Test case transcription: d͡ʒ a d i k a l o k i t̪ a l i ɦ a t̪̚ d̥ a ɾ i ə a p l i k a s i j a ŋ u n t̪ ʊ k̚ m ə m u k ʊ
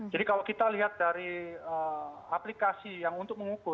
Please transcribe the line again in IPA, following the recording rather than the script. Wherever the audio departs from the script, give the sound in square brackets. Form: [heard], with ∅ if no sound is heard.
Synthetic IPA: d͡ʒ a d i k a l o k i t̪ a l i ɦ a t̪̚ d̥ a ɾ i ə a p l i k a s i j a ŋ u n t̪ ʊ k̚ m ə [ŋ] u k ʊ